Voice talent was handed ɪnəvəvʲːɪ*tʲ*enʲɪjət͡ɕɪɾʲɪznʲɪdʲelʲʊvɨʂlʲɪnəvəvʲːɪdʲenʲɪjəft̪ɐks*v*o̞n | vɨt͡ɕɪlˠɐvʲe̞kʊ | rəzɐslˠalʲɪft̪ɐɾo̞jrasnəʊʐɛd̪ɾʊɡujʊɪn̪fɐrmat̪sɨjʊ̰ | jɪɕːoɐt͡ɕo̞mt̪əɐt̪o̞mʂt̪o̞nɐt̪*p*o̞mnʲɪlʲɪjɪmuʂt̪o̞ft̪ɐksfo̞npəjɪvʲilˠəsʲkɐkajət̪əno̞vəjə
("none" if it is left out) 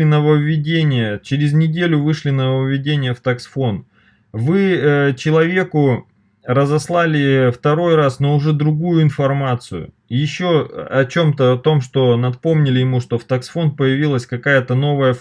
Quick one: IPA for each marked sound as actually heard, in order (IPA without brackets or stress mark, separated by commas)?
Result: dʲ, f, p